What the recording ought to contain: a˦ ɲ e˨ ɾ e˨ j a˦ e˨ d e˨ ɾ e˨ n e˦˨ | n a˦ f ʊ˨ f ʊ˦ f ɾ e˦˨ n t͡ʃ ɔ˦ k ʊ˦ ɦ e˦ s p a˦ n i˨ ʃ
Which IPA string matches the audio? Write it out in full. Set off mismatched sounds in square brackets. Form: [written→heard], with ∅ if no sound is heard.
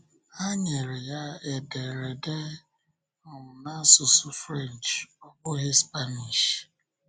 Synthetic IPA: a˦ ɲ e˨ ɾ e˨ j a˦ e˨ d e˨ ɾ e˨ [n→d] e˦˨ | n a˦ [f→s] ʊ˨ [f→s] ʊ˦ f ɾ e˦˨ n t͡ʃ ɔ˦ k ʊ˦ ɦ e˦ s p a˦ n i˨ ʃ